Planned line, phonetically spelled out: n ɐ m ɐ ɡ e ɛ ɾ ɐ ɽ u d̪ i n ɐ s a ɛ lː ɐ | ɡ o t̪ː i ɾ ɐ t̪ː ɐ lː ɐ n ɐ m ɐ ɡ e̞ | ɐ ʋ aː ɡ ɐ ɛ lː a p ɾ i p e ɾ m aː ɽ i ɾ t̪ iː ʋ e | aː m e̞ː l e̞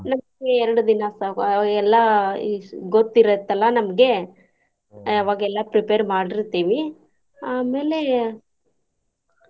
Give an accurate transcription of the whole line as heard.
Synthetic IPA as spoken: n ɐ m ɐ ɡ e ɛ ɾ ɐ ɽ u d̪ i n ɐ s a ɛ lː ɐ | ɡ o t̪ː i ɾ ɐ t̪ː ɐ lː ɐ n ɐ m ɐ ɡ e̞ | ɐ ʋ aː ɡ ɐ ɛ lː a p ɾ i p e ɾ m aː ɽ i ɾ t̪ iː ʋ i | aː m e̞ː l e̞